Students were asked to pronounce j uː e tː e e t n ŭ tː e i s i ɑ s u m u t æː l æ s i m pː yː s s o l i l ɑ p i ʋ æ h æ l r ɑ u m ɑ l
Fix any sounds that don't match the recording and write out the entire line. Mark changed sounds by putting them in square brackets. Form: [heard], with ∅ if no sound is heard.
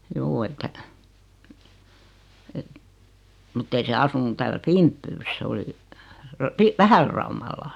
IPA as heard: j uː e tː [æ] e t [m] ŭ tː e i s [e] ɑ s u [n] u t æː l æ [f] i m pː yː s s o l i [r] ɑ p i ʋ æ h æ l r ɑ u m ɑ [lː]